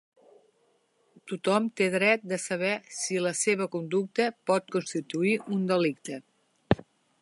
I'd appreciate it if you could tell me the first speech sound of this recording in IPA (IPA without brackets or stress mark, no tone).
t̪